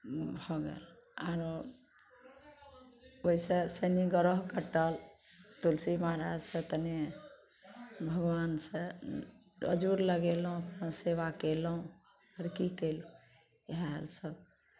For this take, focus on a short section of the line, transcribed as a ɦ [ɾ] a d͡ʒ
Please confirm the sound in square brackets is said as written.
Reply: yes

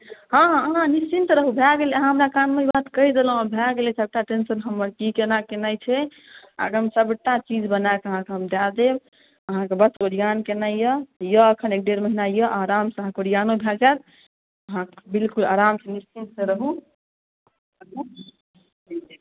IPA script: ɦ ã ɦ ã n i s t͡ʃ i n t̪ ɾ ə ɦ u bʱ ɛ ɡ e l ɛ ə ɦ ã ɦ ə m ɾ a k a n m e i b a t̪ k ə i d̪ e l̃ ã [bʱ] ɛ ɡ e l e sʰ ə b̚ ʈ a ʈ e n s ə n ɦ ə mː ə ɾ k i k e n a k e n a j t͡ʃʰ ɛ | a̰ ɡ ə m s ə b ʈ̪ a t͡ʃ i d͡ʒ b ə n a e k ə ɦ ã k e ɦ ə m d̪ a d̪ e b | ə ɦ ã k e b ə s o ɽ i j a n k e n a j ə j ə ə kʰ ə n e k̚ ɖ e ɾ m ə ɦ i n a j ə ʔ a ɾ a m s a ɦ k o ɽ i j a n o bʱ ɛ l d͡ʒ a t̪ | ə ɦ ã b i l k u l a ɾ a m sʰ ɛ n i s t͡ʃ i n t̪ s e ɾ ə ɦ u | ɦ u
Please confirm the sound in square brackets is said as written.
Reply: yes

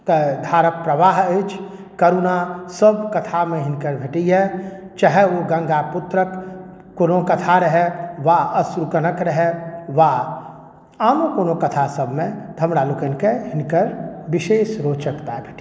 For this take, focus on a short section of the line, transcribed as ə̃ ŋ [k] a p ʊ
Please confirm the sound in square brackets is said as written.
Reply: no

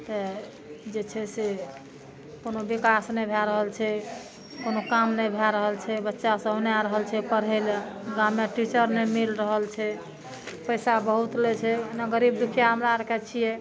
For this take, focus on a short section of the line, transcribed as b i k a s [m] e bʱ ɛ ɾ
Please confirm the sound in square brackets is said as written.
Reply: no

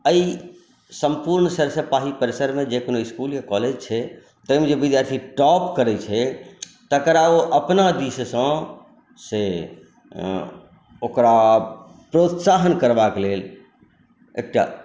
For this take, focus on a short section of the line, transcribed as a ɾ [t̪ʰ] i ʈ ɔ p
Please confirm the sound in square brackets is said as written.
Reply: yes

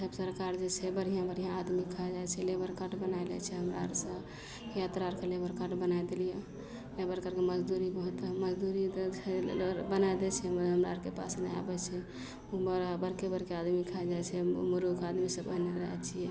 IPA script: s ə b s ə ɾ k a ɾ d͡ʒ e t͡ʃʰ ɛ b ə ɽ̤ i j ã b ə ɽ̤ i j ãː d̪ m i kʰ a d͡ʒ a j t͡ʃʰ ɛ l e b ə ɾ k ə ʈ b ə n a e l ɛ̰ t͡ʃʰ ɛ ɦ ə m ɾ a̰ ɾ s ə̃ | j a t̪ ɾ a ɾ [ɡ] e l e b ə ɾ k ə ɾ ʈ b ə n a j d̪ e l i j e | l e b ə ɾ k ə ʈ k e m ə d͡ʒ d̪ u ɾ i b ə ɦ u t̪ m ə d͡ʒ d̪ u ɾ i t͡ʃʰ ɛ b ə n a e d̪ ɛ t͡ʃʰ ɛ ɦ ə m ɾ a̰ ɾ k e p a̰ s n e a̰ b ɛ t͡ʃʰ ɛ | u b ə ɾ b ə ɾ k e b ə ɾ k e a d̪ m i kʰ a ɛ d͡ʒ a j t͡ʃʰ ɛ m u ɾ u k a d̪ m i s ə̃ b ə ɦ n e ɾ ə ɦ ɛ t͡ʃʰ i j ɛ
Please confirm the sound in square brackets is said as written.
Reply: no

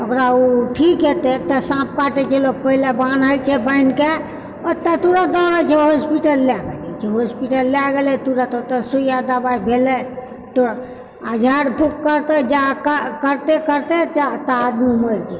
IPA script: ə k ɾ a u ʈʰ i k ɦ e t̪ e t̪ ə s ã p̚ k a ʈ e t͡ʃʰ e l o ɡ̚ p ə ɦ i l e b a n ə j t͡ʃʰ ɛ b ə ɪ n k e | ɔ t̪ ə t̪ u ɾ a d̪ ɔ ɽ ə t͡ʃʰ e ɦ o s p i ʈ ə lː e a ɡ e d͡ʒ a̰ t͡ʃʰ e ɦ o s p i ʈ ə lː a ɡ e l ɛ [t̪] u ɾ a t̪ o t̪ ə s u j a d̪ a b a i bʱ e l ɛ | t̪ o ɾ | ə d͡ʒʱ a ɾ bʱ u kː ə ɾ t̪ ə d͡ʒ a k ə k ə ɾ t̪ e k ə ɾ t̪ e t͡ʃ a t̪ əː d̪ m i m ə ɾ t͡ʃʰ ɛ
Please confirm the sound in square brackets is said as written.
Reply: yes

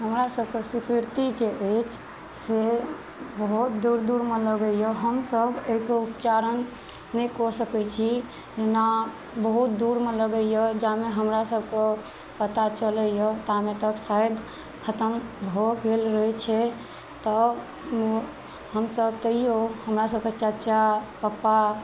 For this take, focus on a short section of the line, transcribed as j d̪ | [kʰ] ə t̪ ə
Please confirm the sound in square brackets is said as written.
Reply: yes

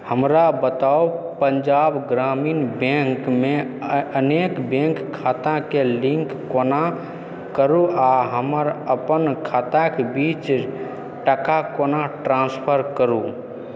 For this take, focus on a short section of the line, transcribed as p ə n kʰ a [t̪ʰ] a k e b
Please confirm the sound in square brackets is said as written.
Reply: no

